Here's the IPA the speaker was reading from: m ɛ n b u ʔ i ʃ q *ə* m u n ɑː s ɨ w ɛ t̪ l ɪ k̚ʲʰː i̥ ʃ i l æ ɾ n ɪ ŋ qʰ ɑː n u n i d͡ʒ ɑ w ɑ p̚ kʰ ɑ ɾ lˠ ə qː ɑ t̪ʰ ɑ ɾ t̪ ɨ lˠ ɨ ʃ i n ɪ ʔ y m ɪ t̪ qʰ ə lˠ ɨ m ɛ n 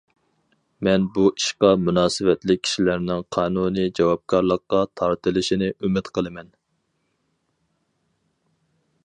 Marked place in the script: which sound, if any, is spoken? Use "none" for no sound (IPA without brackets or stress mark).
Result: ɑ